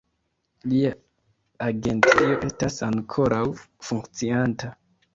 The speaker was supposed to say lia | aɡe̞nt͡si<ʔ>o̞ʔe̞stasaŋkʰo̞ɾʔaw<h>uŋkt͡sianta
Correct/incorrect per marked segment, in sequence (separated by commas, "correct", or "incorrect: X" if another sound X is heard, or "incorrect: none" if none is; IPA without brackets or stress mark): incorrect: none, incorrect: f